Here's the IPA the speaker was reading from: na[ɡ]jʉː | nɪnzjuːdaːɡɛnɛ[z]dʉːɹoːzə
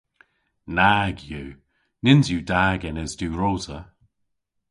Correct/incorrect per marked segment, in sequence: correct, correct

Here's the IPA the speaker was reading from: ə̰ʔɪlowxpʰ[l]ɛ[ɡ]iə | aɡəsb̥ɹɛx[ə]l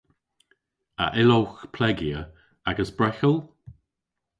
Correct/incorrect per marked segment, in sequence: correct, correct, correct

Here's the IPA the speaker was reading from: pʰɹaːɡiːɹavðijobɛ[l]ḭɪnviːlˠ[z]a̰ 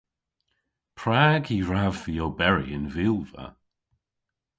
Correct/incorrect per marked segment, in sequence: incorrect: ɹ, incorrect: v

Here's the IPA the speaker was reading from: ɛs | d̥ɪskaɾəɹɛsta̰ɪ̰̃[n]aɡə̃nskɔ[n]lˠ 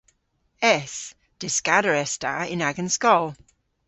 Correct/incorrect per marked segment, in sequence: correct, incorrect: none

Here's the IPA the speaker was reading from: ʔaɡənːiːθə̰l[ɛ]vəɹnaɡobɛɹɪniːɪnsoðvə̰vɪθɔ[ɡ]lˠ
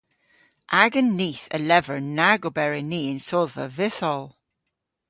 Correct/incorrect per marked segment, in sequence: correct, incorrect: none

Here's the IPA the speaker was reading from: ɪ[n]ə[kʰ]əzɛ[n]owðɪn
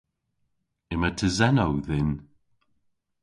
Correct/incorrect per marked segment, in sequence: incorrect: m, incorrect: tʰ, correct

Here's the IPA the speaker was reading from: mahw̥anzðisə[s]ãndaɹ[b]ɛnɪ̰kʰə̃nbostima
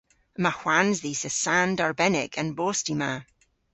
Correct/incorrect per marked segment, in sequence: correct, correct

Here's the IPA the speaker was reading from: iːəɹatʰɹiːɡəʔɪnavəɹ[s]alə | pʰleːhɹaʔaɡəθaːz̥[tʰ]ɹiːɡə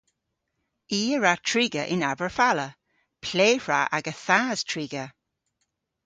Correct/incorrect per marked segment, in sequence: incorrect: f, correct

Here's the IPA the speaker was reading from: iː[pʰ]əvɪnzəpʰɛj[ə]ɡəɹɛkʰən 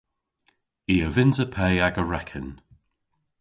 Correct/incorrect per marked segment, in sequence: incorrect: none, incorrect: a

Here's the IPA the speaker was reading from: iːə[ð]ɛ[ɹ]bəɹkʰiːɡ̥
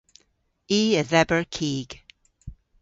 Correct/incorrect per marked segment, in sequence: correct, incorrect: none

